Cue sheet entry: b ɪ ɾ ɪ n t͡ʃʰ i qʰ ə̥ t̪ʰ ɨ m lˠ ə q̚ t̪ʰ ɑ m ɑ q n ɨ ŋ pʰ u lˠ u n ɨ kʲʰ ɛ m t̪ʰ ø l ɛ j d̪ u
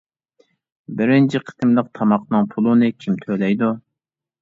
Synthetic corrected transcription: b ɪ ɾ ɪ n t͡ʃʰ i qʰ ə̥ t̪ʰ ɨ m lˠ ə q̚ t̪ʰ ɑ m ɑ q n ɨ ŋ pʰ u lˠ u n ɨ kʲʰ i m t̪ʰ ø l ɛ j d̪ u